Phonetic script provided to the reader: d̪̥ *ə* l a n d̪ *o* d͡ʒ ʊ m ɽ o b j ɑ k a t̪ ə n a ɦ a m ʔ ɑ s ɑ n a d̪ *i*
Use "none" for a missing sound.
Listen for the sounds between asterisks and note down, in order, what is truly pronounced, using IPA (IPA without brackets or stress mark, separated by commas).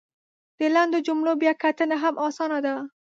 ə, o, a